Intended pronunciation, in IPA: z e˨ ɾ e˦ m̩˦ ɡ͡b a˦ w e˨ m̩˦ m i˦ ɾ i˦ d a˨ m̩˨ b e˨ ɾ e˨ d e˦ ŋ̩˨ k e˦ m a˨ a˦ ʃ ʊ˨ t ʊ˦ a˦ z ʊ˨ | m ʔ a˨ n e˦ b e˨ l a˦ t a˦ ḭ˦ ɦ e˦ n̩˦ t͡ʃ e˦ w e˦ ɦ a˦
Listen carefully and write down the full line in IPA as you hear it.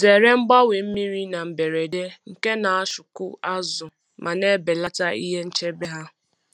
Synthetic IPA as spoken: z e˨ ɾ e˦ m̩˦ ɡ͡b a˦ w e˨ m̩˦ m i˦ ɾ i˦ n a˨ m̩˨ b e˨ ɾ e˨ d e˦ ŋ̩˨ k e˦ n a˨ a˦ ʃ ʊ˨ k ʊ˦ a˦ z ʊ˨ | m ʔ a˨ n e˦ b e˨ l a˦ t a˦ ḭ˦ ɦ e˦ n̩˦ t͡ʃ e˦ b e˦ ɦ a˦